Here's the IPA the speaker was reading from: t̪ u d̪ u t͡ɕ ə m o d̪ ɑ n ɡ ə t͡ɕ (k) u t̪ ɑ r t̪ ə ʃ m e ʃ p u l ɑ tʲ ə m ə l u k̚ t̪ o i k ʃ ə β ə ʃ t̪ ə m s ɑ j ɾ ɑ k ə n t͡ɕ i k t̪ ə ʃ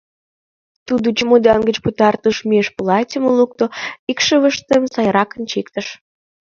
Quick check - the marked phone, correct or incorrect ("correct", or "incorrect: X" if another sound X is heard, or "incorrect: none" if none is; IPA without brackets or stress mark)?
incorrect: p